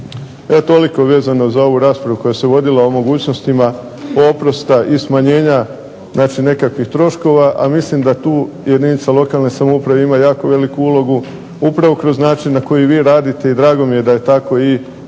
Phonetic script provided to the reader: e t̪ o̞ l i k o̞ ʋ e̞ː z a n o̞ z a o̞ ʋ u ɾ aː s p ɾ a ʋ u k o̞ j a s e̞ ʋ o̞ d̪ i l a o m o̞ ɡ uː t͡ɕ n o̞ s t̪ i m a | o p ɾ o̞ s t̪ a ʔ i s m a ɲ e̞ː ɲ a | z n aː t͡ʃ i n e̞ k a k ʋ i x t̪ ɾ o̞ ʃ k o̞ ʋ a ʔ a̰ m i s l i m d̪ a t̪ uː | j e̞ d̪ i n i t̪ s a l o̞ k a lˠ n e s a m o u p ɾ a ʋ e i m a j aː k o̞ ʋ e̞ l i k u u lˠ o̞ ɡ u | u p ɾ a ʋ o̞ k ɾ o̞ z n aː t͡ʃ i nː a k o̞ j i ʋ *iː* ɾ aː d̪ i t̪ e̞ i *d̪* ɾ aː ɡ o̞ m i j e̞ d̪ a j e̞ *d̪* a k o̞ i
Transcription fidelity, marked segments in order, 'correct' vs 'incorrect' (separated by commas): correct, correct, incorrect